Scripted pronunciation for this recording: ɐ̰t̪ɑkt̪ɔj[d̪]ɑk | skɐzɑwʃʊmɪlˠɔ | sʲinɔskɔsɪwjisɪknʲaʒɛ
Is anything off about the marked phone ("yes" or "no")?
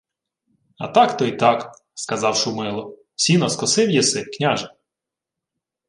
yes